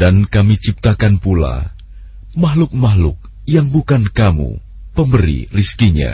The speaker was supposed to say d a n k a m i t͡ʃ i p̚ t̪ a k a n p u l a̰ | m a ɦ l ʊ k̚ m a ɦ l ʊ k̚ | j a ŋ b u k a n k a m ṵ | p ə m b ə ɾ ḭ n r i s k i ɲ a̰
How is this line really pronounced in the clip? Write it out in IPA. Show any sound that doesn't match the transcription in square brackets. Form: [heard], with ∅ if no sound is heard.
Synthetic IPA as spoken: d a n k a m i t͡ʃ i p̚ t̪ a k a n p u l a̰ | m a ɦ l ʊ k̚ m a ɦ l ʊ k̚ | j a ŋ b u k a n k a m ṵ | p ə m b ə ɾ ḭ [∅] r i s k i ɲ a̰